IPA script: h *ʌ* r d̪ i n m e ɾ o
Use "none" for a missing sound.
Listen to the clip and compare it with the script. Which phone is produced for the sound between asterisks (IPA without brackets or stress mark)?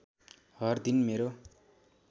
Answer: ʌ